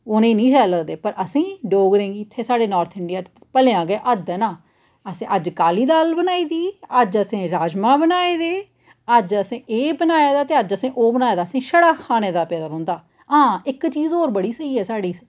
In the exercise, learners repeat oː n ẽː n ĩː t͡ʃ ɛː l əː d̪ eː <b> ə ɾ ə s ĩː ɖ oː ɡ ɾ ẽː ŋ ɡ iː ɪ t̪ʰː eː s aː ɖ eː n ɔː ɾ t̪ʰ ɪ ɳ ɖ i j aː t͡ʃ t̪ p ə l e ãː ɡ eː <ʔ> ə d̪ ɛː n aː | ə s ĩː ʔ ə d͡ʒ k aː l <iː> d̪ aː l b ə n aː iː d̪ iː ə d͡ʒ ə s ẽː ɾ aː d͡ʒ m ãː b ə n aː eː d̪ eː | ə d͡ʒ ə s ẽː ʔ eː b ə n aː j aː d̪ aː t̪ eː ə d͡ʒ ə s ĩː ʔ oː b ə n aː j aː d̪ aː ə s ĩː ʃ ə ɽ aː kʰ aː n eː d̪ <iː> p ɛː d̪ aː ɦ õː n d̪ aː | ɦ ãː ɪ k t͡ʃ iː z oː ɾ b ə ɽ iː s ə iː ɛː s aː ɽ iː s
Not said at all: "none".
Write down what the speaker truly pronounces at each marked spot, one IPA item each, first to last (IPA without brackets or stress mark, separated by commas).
p, ʔ, iː, aː